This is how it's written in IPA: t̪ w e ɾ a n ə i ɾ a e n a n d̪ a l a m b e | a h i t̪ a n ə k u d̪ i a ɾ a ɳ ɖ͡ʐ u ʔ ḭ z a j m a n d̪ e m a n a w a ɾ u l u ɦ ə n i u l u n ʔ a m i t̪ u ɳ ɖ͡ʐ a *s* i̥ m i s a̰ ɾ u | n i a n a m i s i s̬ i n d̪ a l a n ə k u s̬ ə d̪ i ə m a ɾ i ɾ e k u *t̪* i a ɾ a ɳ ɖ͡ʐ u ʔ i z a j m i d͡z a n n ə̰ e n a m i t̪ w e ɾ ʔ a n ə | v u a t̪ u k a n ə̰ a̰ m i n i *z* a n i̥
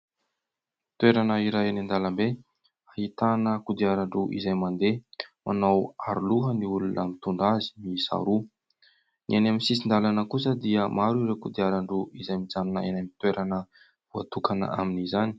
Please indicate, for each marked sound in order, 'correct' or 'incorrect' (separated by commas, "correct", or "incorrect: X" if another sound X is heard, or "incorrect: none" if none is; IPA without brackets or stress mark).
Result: incorrect: z, incorrect: d̪, correct